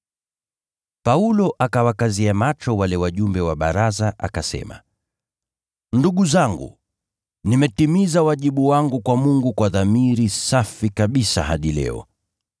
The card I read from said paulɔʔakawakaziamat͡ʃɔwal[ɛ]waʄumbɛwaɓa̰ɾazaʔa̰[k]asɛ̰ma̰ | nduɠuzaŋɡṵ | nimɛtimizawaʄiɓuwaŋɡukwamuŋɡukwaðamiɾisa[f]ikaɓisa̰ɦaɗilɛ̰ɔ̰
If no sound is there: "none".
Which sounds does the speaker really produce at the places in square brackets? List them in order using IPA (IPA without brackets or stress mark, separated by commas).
ɛ, k, f